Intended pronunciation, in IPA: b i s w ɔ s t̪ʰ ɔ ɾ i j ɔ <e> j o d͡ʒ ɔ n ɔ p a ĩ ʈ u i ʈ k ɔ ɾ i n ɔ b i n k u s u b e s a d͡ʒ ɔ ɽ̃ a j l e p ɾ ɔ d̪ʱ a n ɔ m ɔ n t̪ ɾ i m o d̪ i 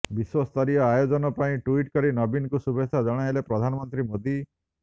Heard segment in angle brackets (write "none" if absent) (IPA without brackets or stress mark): a